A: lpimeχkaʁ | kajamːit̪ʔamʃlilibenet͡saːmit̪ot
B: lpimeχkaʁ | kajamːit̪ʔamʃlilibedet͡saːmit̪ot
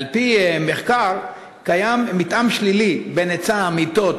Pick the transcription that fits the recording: A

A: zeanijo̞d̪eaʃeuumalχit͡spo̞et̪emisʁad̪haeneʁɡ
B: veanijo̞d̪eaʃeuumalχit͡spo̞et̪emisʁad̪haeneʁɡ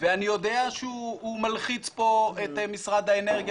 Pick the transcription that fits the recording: B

